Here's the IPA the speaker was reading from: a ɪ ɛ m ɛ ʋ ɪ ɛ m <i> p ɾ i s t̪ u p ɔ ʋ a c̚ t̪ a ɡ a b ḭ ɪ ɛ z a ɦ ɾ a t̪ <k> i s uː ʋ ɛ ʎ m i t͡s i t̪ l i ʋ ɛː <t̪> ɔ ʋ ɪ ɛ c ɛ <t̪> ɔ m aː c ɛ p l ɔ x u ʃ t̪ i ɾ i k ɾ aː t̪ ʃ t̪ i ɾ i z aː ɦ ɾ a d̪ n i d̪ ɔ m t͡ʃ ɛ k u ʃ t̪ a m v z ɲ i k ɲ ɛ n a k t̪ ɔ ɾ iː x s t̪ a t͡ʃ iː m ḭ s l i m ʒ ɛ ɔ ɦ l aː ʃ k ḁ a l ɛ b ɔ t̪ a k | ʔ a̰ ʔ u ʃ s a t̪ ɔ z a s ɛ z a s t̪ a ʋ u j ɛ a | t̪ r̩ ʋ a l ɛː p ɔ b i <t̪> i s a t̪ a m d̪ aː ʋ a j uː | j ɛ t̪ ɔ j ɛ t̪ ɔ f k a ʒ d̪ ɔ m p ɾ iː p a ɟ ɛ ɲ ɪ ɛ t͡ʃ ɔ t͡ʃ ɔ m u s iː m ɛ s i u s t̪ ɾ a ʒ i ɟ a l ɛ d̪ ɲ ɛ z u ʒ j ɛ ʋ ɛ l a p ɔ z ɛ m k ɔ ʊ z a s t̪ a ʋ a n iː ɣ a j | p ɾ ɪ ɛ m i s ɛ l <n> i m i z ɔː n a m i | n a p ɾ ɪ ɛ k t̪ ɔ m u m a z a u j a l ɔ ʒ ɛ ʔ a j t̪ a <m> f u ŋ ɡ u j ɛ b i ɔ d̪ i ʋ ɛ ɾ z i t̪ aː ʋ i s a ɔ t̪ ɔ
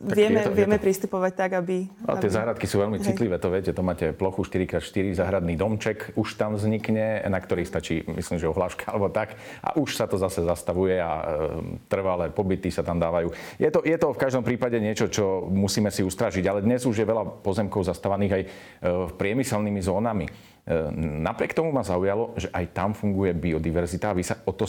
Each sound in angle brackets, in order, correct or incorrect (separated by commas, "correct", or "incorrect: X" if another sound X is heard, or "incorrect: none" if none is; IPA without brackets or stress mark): incorrect: ɛ, correct, correct, correct, correct, correct, correct